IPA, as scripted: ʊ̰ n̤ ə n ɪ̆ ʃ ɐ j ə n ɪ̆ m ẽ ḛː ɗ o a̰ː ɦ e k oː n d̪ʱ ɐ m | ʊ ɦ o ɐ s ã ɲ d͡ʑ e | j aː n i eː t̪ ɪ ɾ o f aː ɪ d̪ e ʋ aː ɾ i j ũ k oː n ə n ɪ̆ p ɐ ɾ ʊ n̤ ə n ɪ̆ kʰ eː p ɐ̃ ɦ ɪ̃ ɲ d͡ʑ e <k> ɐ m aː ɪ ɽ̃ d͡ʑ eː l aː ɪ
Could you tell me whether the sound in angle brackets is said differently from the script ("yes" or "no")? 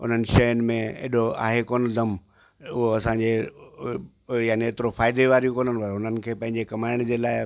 no